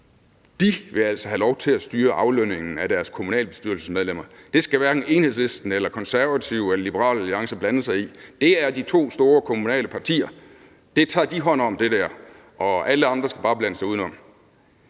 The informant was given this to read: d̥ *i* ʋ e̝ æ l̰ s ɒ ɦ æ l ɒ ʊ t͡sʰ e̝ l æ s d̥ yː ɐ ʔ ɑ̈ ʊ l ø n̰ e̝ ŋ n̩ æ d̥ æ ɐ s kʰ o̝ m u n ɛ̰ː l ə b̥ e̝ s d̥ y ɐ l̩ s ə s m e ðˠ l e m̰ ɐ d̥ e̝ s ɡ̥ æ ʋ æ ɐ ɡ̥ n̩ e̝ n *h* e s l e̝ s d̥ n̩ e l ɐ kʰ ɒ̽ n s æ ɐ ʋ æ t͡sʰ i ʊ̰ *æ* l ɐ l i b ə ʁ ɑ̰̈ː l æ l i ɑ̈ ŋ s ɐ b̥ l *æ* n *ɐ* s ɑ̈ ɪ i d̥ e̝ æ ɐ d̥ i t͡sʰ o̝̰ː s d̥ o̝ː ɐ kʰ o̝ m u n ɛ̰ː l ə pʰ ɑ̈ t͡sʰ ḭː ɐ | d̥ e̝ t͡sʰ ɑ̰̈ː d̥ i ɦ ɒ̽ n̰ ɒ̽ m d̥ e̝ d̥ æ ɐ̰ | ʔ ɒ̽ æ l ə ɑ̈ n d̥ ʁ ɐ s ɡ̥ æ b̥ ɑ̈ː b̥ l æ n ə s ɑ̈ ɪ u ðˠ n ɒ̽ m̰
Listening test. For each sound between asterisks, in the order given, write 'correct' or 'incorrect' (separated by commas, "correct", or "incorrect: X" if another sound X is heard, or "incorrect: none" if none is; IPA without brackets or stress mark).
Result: correct, correct, incorrect: e, correct, incorrect: ə